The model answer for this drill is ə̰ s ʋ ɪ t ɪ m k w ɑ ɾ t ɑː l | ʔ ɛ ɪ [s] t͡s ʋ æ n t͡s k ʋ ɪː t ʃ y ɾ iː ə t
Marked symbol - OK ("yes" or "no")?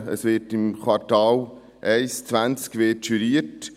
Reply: yes